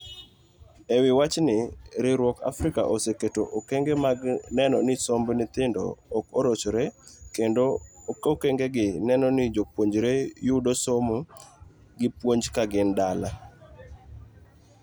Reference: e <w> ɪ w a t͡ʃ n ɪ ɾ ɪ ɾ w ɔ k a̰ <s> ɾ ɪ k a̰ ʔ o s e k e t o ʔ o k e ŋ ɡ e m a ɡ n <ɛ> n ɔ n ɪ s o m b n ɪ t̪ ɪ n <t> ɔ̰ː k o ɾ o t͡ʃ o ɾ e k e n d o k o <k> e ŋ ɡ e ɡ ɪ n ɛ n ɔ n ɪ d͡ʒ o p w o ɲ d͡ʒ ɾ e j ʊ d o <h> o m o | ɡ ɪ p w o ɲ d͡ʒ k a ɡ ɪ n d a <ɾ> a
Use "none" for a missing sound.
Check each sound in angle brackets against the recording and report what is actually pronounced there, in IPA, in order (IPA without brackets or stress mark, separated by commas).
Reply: w, f, ɛ, d, k, s, l